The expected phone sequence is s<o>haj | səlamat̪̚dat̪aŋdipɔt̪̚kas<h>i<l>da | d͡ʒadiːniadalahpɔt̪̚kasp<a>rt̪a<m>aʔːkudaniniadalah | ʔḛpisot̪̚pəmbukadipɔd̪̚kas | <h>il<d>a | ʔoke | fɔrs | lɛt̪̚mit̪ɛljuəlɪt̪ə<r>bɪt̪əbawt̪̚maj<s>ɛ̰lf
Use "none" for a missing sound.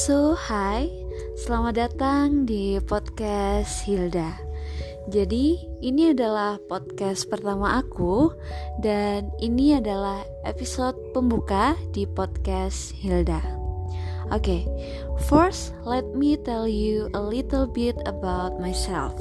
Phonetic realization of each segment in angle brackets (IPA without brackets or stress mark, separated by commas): o, h, l, ə, m, h, d, l, s